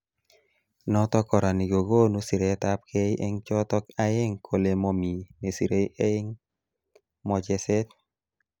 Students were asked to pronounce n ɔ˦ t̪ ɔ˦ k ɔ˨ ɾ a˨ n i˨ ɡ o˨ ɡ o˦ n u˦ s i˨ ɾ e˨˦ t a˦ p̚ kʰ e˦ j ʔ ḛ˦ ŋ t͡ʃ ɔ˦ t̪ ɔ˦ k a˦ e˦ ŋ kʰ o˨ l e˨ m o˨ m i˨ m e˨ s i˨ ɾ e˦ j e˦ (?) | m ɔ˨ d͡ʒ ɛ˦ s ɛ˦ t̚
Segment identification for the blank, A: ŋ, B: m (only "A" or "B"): A